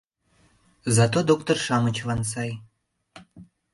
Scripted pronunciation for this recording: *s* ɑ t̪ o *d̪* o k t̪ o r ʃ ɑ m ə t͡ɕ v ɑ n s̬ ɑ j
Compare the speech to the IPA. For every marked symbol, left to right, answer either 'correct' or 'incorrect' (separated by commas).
incorrect, correct